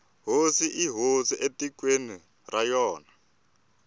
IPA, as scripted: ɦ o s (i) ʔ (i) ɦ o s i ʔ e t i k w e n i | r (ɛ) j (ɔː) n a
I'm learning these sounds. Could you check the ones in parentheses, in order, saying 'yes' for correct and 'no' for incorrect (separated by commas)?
yes, yes, no, yes